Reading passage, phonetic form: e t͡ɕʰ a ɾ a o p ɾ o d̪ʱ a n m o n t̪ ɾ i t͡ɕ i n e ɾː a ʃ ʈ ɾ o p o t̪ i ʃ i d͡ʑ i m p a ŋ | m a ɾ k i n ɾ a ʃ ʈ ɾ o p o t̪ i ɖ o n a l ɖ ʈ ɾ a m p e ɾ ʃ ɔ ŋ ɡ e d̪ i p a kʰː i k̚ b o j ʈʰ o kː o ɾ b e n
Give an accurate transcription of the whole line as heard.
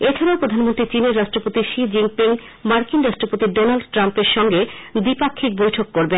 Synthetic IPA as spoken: e t͡ɕʰ a ɾ a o p ɾ o d̪ʱ a n m o n t̪ ɾ i t͡ɕ i n e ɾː a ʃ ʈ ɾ o p o t̪ i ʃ i d͡ʑ i ŋ p i ŋ | m a ɾ k i n ɾ a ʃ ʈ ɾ o p o t̪ i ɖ o n a l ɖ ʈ ɾ a m p e ɾ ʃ ɔ ŋ ɡ e d̪ i p a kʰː i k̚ b o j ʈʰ o kː o ɾ b e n